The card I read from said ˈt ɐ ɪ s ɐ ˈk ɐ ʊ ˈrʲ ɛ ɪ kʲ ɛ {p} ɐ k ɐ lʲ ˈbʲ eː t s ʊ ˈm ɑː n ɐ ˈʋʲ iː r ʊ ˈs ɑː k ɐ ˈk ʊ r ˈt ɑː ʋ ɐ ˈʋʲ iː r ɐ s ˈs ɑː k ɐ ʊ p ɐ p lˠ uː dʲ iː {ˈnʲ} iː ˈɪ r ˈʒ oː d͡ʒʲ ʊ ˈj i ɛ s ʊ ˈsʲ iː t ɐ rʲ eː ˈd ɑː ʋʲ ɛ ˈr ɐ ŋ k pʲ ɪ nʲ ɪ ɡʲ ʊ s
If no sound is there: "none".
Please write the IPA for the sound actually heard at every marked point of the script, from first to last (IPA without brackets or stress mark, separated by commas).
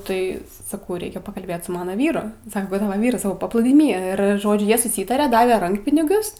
p, mʲ